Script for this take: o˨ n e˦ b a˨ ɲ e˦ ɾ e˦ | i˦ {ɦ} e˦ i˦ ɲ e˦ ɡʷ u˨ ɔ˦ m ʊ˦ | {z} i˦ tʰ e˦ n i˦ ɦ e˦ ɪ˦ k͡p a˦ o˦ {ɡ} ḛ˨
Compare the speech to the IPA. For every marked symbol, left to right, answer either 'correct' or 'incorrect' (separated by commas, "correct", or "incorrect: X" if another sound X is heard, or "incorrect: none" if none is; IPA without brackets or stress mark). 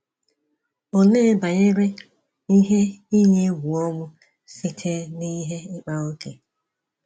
correct, incorrect: s, incorrect: k